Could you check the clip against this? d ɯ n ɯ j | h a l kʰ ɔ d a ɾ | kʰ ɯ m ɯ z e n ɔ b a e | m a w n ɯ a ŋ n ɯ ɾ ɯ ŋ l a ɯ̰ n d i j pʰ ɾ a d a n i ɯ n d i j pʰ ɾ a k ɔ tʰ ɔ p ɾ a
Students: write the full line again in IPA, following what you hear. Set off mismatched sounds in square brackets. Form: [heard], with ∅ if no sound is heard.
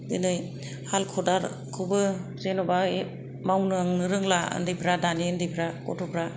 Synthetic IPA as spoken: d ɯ n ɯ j | h a l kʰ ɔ d a ɾ | kʰ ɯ [b] ɯ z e n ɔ b a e | m a w n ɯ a ŋ n ɯ ɾ ɯ ŋ l a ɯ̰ n d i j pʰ ɾ a d a n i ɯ n d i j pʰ ɾ a k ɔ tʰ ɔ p ɾ a

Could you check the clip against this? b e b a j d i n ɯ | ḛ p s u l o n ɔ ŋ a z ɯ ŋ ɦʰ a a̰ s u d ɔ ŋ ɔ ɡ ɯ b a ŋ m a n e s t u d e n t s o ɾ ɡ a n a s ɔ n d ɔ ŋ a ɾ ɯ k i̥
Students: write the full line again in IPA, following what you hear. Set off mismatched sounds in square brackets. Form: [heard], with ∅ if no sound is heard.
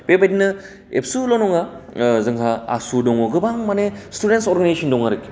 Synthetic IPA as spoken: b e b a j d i n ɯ | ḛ p s u l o n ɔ ŋ a z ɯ ŋ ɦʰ a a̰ s u d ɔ ŋ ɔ ɡ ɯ b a ŋ m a n e s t u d e n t s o ɾ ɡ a n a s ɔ n d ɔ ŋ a ɾ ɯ k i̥

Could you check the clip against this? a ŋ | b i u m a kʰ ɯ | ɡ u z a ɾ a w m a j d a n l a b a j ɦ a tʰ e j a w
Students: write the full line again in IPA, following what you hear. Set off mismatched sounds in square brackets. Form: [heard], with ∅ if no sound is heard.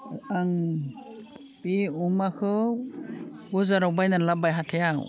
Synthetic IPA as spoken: a ŋ | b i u m a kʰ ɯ | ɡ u z a ɾ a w [b] a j [n] a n l a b a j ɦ a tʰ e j a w

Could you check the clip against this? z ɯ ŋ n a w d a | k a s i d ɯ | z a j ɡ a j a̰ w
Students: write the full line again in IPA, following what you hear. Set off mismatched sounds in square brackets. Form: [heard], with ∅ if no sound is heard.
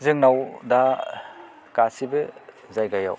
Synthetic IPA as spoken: z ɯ ŋ n a w d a | k a s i [b] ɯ | z a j ɡ a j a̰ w

